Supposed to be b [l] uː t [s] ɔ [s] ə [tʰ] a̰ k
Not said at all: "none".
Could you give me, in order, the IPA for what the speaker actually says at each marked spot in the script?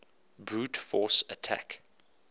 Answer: ɹ, f, s, tʰ

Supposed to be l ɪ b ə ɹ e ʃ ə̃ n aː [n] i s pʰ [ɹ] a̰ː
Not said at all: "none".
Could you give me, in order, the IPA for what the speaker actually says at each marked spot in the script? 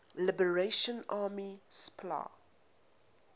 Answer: m, l

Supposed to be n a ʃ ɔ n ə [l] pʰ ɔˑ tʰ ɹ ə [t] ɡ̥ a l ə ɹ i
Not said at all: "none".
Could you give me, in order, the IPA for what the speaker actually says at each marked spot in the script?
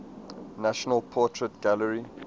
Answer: l, t

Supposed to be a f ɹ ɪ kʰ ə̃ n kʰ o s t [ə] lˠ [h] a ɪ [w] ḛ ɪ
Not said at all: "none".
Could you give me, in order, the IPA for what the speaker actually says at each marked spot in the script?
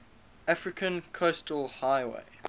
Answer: ə, h, w

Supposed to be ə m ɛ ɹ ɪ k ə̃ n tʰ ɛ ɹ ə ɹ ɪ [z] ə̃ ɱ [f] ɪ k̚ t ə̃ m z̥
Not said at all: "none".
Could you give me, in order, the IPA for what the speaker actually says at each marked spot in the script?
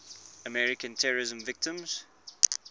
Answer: z, v

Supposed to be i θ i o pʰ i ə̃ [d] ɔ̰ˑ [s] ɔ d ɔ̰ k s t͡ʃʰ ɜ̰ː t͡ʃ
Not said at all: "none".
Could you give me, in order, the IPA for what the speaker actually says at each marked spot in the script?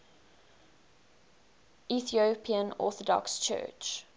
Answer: n, θ

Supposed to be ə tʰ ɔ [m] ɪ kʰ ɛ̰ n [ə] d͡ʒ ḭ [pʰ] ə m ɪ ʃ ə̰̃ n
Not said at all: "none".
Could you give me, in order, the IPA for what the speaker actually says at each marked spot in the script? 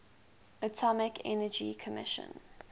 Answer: m, ə, kʰ

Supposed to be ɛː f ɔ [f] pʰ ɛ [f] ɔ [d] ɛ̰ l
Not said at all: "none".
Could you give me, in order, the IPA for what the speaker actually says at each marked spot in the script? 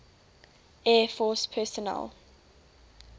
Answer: s, s, n

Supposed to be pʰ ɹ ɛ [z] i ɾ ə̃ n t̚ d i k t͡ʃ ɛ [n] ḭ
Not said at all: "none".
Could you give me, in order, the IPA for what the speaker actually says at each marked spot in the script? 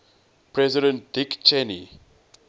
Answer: z, n

